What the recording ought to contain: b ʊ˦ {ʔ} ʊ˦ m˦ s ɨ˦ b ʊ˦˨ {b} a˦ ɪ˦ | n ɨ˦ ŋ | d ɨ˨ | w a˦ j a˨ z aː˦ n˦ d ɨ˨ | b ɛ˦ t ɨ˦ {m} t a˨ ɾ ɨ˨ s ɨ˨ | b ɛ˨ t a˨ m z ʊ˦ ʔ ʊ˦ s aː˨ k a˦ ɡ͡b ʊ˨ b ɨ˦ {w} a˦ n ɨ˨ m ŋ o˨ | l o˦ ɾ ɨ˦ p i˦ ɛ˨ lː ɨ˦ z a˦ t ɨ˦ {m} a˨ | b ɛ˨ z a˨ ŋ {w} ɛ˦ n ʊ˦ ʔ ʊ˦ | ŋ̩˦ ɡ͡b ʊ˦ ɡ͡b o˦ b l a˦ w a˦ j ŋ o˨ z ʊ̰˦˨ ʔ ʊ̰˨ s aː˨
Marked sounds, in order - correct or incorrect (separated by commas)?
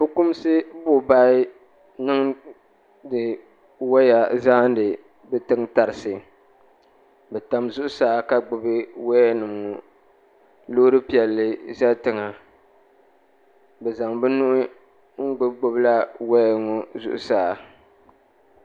incorrect, correct, incorrect, correct, incorrect, incorrect